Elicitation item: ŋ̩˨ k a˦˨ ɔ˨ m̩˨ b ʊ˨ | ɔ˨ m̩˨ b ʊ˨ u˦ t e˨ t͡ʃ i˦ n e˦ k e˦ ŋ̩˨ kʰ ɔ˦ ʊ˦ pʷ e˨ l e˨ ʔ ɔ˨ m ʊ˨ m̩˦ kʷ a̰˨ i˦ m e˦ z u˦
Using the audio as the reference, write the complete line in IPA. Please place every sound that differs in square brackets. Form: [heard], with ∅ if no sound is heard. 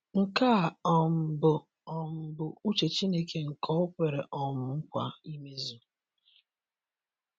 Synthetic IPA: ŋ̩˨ k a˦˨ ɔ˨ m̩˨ b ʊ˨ | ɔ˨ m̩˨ b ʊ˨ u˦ [t͡ʃ] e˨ t͡ʃ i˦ n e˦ k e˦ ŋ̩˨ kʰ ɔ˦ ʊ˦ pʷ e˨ [ɾ] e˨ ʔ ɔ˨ m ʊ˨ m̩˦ kʷ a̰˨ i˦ m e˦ z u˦